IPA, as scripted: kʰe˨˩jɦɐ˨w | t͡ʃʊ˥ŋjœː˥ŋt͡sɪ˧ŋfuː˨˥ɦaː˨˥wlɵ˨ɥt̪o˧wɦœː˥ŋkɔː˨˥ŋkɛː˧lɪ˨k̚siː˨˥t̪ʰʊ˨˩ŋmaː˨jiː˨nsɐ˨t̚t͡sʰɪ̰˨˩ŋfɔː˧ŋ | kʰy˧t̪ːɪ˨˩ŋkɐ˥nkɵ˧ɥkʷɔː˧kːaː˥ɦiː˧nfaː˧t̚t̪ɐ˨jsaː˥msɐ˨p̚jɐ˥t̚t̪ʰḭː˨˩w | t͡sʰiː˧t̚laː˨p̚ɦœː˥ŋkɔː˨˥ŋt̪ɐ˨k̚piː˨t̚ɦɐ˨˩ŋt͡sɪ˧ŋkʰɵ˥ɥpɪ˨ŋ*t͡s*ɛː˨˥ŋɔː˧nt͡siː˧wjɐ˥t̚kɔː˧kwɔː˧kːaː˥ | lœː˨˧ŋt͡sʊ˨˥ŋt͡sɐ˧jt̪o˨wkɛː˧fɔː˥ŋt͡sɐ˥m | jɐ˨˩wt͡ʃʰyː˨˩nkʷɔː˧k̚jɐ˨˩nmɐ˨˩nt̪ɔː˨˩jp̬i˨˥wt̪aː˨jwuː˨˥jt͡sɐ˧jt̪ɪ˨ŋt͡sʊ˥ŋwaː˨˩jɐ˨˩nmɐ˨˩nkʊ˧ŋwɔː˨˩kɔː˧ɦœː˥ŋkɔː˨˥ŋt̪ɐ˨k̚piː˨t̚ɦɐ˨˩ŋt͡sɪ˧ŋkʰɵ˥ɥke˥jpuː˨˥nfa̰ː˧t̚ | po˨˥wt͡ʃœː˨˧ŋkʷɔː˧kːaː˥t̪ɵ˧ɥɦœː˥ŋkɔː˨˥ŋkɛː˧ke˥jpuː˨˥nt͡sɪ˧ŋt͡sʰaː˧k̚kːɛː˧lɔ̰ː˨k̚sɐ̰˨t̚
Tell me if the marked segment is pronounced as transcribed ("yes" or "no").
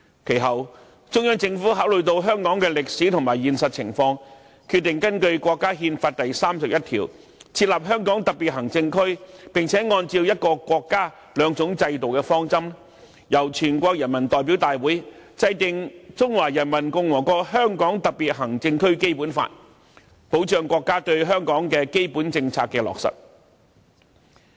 no